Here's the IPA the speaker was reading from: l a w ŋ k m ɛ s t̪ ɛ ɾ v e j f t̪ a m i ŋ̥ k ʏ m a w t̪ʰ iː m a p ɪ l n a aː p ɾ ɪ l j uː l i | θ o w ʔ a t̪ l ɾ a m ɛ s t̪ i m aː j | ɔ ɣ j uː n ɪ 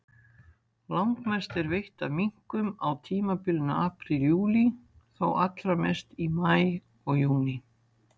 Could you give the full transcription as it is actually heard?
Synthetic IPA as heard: l a w ŋ k m ɛ s t̪ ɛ ɾ v e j h t̪ a m i ŋ̥ k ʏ m a w t̪ʰ iː m a p ɪ l n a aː p ɾ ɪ l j uː l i | θ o w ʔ a t̪ l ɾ a m ɛ s t̪ i m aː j | ɔ ɣ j uː n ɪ